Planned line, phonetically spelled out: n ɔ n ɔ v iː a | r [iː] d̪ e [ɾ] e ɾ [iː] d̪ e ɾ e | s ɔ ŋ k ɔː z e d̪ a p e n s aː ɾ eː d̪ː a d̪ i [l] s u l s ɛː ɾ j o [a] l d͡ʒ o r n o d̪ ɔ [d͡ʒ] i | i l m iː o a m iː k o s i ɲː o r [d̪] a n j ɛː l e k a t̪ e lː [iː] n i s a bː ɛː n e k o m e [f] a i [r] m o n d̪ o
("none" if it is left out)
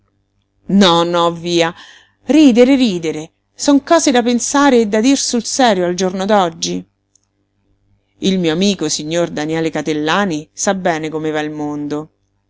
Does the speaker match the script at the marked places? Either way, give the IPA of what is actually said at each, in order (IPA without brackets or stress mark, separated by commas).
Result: iː, ɾ, iː, r, a, d͡ʒː, d̪, aː, v, l